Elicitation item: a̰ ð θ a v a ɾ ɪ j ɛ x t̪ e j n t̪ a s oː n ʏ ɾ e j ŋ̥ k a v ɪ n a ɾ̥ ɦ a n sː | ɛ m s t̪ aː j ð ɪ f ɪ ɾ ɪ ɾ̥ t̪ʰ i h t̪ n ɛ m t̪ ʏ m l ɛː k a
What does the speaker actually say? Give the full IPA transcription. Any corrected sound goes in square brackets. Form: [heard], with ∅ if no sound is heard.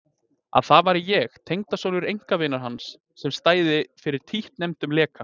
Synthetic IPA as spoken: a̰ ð θ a v a ɾ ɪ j ɛ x [t̪ʰ] e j [ŋ] t̪ a s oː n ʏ ɾ e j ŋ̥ k a v ɪ n a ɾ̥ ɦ a n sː | ɛ m s t̪ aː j ð ɪ f ɪ ɾ ɪ ɾ̥ t̪ʰ i h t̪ n ɛ m t̪ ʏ m l ɛː k a